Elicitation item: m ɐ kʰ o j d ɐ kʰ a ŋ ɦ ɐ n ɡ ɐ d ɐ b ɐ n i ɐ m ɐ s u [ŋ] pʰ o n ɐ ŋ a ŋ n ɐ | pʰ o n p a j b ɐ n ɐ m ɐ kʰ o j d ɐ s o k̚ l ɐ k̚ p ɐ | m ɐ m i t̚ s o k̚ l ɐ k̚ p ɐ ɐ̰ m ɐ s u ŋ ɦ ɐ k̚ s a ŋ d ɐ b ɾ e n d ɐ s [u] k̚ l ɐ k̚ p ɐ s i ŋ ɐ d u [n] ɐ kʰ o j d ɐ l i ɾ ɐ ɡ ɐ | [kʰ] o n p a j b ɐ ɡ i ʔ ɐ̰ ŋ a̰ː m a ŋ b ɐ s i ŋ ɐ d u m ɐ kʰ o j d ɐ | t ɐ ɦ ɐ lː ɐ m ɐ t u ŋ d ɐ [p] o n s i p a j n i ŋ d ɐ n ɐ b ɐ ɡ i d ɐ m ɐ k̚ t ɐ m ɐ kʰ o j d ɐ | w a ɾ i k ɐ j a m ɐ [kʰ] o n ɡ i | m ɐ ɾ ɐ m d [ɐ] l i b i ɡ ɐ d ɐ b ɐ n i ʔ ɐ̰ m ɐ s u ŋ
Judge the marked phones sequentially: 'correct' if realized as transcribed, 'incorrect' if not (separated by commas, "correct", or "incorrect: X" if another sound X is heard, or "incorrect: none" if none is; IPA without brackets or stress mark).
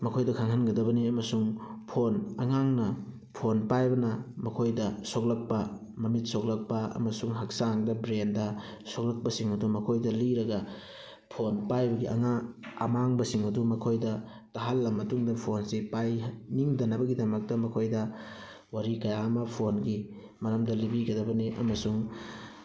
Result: correct, incorrect: o, incorrect: m, incorrect: pʰ, incorrect: pʰ, incorrect: pʰ, correct